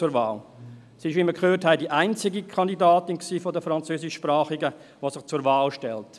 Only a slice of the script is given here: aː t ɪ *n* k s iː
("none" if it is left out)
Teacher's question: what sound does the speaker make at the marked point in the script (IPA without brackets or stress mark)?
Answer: n